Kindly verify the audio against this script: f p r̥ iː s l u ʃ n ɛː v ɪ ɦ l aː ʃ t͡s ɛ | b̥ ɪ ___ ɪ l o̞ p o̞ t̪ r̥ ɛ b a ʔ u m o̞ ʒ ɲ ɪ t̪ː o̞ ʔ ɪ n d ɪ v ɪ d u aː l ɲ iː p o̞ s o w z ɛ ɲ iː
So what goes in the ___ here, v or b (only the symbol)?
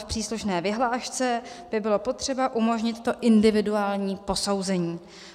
b